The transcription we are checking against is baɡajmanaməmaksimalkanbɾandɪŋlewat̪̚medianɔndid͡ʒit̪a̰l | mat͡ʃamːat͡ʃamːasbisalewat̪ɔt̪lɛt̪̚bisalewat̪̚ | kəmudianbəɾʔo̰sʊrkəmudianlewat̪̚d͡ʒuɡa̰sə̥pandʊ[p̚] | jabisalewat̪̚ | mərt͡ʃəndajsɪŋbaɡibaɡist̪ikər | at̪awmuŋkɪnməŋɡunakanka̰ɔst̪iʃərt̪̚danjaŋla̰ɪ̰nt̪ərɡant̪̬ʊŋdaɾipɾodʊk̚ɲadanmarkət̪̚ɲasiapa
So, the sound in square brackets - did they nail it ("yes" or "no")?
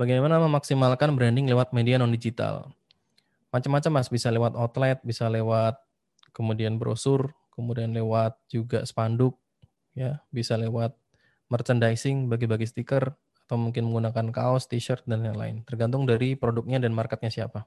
no